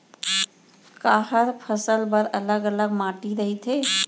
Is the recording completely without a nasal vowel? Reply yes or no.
yes